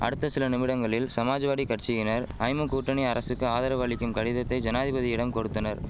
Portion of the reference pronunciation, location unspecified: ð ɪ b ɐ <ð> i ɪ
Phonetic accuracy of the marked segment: correct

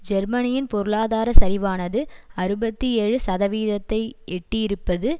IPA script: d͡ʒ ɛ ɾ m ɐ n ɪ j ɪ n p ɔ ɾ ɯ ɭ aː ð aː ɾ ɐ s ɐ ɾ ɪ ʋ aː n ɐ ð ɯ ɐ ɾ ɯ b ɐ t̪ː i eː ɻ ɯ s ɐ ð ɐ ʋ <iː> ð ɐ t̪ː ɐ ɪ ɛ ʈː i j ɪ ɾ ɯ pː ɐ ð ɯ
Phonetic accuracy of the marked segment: correct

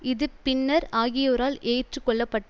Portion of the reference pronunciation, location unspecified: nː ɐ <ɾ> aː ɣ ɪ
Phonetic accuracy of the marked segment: correct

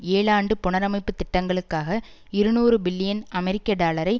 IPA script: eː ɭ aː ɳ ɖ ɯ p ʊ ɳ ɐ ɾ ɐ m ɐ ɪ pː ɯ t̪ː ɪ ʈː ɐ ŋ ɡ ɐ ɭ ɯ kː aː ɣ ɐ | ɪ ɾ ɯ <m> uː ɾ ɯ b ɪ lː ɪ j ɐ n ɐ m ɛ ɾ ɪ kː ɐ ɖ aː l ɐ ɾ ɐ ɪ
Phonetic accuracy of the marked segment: incorrect: n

